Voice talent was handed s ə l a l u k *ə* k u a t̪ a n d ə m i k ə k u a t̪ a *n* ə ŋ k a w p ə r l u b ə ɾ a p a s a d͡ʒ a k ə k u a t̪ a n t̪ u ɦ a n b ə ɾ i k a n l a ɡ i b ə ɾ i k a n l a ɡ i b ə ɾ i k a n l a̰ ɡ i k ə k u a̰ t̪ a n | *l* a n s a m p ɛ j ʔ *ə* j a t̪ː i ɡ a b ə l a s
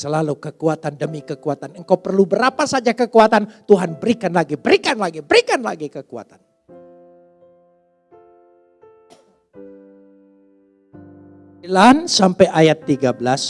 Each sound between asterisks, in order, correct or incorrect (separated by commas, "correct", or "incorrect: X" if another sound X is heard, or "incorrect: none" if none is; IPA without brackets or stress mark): correct, correct, correct, incorrect: a